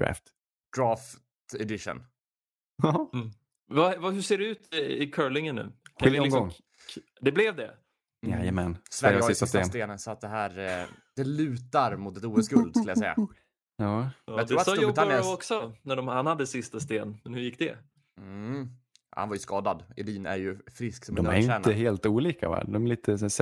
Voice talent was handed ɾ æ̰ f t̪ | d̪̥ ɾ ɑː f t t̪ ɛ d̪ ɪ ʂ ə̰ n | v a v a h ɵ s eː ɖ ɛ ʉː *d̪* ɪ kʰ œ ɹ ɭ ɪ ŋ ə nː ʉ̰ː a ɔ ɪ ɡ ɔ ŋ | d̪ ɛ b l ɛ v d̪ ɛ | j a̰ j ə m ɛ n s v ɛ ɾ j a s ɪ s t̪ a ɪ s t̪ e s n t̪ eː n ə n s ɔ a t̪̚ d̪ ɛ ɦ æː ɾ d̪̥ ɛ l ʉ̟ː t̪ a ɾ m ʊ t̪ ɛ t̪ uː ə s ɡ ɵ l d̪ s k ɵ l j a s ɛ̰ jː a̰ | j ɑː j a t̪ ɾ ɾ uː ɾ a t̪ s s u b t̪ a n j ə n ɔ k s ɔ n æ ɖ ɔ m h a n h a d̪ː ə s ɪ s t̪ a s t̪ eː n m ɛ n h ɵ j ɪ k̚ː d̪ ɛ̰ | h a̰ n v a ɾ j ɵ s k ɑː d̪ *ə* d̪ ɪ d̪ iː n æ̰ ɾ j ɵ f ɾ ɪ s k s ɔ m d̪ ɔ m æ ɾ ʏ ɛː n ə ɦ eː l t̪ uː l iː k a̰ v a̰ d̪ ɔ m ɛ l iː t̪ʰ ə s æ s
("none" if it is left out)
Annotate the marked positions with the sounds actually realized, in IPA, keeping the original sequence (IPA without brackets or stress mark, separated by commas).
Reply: t̪, a